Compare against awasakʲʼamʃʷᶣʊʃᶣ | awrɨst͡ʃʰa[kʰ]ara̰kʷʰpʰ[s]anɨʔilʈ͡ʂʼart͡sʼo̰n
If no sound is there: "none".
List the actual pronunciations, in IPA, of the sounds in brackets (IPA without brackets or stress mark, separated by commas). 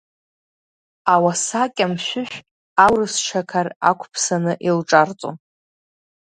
kʰ, s